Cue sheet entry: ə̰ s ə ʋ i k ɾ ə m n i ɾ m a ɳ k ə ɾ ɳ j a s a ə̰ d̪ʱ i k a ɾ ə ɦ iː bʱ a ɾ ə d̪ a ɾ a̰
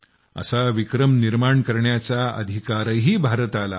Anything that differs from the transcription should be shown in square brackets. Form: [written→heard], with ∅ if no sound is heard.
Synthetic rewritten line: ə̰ s [ə→a] ʋ i k ɾ ə m n i ɾ m a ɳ k ə ɾ ɳ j a [s→t͡s] a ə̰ d̪ʱ i k a ɾ ə ɦ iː bʱ a ɾ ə [d̪→t̪] a [ɾ→l] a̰